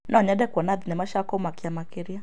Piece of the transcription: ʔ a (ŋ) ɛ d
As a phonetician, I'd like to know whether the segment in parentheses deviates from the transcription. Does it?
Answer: yes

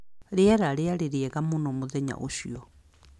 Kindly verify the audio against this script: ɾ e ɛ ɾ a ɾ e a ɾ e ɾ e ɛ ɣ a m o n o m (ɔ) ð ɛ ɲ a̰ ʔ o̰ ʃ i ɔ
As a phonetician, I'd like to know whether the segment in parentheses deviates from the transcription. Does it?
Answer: yes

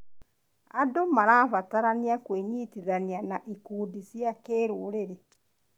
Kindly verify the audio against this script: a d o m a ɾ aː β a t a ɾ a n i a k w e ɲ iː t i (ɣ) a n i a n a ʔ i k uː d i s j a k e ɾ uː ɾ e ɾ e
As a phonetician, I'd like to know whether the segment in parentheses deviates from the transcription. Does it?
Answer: yes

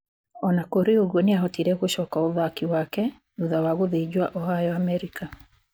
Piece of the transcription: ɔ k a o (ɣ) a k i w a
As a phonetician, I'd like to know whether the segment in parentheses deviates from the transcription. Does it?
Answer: yes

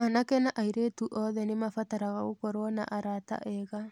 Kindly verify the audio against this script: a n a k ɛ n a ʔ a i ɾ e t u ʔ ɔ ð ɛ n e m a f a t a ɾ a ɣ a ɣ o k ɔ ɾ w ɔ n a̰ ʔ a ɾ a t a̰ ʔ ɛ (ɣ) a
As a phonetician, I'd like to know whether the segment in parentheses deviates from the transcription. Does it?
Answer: no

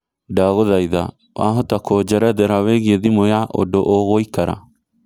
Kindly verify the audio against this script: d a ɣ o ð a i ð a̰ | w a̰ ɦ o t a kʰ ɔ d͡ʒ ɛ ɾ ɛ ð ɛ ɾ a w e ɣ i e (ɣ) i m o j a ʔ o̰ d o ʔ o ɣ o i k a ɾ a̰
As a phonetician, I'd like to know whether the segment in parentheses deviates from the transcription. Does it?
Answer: yes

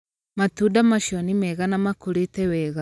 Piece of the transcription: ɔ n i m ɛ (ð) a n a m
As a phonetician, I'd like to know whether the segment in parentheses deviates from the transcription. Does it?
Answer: yes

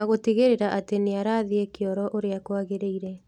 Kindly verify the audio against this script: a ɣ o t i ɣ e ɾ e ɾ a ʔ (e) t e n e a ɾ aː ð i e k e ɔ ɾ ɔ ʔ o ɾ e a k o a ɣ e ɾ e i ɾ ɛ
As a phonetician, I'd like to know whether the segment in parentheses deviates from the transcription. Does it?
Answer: yes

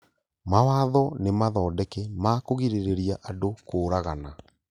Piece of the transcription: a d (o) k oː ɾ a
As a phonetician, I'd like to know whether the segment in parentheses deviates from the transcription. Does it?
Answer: no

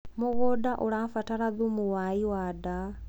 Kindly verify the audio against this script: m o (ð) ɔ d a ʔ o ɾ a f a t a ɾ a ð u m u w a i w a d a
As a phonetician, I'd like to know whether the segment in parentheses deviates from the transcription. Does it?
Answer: yes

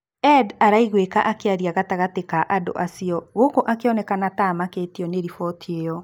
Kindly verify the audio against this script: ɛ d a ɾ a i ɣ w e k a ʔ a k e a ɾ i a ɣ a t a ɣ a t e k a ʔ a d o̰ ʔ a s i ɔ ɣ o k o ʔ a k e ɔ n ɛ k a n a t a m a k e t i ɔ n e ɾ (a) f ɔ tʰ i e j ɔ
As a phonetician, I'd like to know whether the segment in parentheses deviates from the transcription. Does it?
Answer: yes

